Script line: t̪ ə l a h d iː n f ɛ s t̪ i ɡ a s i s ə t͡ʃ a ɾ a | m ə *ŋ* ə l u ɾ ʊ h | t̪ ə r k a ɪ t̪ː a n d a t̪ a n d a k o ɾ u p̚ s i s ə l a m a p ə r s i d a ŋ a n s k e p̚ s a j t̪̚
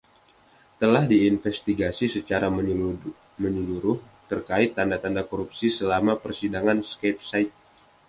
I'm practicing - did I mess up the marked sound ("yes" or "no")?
yes